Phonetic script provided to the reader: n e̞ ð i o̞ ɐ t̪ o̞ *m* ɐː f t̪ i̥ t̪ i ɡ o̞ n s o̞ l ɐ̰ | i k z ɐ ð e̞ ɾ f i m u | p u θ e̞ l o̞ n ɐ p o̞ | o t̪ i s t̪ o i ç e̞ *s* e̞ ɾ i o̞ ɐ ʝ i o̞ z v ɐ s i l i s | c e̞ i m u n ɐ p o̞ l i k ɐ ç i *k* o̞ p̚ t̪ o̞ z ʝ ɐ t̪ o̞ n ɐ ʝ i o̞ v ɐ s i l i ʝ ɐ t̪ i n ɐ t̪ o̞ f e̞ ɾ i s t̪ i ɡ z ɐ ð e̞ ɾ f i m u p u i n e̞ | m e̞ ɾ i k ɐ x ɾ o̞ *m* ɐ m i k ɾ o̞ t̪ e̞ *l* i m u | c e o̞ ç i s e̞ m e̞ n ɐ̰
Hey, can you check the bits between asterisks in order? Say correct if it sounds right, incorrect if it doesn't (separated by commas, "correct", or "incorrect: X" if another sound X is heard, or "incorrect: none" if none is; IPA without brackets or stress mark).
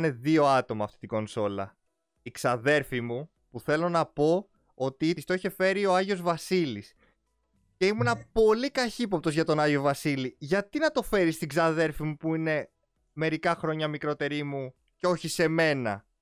correct, incorrect: f, incorrect: p, incorrect: ɲ, incorrect: ɾ